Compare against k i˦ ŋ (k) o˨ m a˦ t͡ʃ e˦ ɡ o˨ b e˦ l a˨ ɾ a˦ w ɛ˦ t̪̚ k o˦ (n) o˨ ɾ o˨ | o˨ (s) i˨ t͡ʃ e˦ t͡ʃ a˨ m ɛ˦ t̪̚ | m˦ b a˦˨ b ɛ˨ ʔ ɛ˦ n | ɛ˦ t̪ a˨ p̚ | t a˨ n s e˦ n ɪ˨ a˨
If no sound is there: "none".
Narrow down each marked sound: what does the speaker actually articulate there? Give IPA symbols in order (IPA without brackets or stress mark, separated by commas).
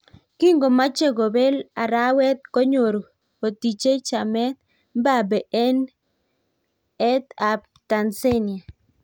ɡ, ɲ, t